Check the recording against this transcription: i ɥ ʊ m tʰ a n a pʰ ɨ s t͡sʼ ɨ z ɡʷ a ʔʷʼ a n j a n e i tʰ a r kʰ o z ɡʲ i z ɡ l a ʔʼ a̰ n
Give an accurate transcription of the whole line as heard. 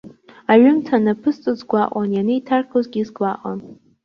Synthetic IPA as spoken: a ɥ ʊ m tʰ a n a pʰ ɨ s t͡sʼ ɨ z ɡʷ a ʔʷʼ a n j a n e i tʰ a r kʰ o z ɡʲ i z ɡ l a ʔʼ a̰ n